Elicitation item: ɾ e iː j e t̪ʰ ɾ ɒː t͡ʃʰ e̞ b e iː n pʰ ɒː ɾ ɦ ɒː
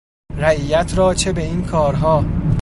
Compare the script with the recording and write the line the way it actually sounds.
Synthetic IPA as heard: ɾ æ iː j æ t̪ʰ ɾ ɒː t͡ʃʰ e̞ b e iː n kʰ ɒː ɾ ɦ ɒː